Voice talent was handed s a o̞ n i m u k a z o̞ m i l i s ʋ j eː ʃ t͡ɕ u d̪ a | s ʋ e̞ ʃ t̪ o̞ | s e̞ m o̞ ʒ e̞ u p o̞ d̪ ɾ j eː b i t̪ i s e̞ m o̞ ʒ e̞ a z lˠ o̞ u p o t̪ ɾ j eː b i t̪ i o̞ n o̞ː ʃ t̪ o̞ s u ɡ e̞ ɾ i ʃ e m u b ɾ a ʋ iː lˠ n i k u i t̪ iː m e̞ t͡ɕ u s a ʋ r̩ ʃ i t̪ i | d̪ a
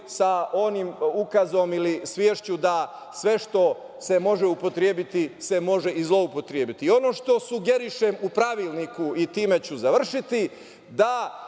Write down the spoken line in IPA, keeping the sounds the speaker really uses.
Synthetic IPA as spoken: s a o̞ n i m u k a z o̞ m i l i s ʋ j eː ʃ t͡ɕ u d̪ a | s ʋ e̞ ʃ t̪ o̞ | s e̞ m o̞ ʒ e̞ u p o̞ t̪ ɾ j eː b i t̪ i s e̞ m o̞ ʒ e̞ i z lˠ o̞ u p o t̪ ɾ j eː b i t̪ i o̞ n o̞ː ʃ t̪ o̞ s u ɡ e̞ ɾ i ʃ e m u p ɾ a ʋ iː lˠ n i k u i t̪ iː m e̞ t͡ɕ u z a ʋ r̩ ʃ i t̪ i | d̪ a